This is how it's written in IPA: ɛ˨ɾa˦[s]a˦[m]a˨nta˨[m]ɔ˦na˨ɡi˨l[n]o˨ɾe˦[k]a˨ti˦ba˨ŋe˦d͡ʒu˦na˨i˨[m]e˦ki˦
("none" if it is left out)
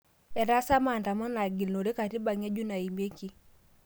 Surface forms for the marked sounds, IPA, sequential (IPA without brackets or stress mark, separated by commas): s, m, m, n, k, m